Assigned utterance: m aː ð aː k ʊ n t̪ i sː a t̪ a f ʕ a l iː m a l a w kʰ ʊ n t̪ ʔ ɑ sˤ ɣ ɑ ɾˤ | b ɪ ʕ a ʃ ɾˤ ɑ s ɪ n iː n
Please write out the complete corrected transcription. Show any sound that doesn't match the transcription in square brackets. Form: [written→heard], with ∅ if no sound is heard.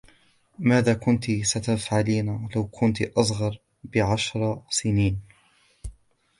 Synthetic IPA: m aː ð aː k ʊ n t̪ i [sː→s] a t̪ a f ʕ a l iː [m→n] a l a w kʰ ʊ n t̪ ʔ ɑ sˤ ɣ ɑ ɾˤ | b ɪ ʕ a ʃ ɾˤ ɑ s ɪ n iː n